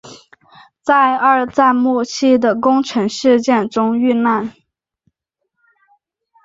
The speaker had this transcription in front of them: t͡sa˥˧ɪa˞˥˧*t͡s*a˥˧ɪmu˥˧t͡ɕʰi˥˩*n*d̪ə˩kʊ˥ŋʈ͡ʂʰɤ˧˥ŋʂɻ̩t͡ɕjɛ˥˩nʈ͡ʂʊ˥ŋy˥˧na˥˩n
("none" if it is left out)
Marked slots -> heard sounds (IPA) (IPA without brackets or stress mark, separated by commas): t͡s, none